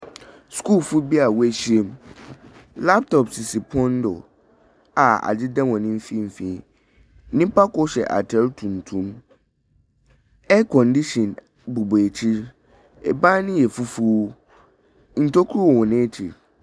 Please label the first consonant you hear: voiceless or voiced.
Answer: voiceless